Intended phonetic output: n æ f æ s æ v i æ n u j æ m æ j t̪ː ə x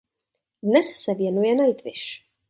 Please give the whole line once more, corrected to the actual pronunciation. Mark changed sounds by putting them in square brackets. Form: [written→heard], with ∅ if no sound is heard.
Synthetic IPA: n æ [f→s] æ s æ v [i→j] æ n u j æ [m→n] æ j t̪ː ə [x→ʃ]